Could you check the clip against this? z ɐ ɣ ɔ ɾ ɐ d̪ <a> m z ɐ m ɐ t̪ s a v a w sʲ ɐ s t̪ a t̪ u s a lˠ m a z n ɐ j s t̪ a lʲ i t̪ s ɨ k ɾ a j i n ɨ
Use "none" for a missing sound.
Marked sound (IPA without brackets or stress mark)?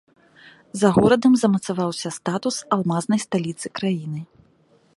ɐ